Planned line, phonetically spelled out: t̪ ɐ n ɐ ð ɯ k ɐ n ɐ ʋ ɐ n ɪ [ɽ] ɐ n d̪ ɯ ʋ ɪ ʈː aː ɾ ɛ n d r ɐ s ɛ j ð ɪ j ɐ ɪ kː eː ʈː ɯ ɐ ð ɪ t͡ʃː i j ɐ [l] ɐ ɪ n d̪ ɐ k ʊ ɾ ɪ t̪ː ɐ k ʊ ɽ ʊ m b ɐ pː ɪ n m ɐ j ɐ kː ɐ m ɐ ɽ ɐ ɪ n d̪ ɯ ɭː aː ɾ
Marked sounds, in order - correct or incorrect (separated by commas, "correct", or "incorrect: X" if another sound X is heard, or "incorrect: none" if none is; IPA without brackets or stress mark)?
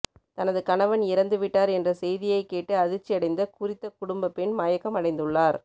incorrect: ɾ, incorrect: ɽ